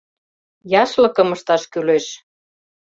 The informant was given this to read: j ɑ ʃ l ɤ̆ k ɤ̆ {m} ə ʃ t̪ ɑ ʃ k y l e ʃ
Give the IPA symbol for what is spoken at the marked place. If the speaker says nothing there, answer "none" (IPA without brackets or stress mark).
m